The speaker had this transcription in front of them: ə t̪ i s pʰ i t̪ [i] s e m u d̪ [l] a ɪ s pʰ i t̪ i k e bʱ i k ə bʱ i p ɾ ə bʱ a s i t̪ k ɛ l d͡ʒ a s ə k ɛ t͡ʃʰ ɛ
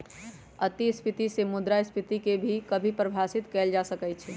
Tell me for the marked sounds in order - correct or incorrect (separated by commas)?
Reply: correct, incorrect